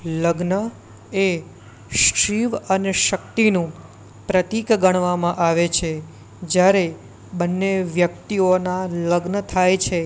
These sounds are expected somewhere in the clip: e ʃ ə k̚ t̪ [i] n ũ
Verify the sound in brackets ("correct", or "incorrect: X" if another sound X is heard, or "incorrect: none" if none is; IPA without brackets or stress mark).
correct